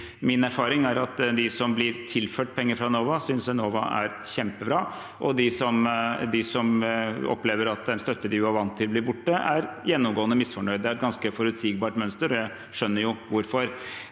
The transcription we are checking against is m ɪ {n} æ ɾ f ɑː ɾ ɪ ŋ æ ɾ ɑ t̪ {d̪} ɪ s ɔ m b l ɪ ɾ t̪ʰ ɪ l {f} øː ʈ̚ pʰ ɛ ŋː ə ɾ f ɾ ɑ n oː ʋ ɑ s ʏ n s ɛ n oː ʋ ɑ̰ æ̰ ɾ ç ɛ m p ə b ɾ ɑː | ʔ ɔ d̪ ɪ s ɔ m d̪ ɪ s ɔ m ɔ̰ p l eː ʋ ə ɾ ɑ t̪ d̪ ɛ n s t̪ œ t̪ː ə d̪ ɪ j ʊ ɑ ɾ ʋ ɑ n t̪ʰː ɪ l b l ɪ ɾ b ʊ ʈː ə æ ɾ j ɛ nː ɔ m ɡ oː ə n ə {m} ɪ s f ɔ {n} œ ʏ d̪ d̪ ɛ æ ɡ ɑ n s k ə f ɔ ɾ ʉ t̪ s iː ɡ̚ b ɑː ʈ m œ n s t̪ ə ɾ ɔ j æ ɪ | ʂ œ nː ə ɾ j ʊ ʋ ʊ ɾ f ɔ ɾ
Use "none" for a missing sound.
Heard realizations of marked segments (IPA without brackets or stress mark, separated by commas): n, d̪, f, m, ɳ